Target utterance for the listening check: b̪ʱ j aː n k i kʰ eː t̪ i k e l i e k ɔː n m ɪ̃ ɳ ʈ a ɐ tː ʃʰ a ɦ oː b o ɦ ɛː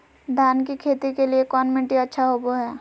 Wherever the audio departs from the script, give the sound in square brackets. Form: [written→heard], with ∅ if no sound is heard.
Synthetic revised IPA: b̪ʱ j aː n k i kʰ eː t̪ i k e l i e k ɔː n m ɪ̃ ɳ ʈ [a→i] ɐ tː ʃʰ a ɦ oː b o ɦ ɛː